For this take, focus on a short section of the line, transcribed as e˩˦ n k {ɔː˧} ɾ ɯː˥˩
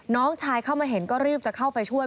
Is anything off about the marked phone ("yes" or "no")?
yes